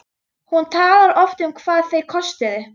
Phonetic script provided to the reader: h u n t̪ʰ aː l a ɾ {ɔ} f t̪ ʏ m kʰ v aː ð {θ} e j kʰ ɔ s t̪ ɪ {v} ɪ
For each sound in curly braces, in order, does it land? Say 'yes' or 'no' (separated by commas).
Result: yes, yes, no